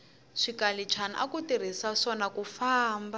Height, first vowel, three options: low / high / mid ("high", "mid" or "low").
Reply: high